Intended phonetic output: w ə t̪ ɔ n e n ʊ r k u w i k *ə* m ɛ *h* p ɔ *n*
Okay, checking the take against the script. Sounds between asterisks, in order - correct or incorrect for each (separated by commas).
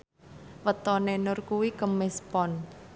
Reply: correct, incorrect, correct